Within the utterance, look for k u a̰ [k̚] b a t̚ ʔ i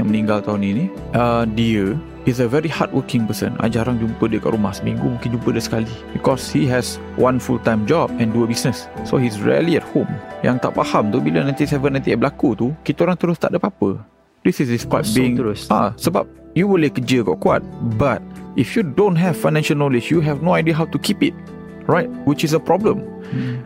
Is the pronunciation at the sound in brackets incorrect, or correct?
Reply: incorrect